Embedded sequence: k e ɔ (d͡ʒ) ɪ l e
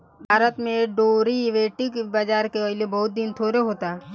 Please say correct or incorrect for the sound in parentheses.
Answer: incorrect